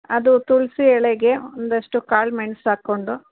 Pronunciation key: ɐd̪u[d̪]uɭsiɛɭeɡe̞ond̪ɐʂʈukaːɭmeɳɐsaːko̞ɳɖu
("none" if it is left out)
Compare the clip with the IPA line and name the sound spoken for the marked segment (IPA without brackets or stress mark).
t̪